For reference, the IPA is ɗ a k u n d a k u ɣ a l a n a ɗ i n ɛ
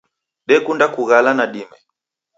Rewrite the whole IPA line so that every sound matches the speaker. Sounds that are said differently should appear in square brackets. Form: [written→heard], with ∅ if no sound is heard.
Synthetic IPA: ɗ [a→ɛ] k u n d a k u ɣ a l a n a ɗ i [n→m] ɛ